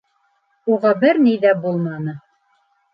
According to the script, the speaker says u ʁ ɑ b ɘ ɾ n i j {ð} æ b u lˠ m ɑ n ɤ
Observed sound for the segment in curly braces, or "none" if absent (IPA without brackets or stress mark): ð